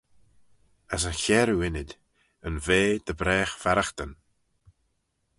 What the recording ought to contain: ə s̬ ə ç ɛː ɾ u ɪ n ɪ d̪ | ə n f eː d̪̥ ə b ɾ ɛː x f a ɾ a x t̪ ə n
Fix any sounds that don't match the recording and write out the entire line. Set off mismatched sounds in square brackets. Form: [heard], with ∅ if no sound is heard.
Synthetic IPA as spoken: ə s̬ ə ç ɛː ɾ u ɪ n ɪ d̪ | ə n [v] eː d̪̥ ə b ɾ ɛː x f a ɾ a x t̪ ə n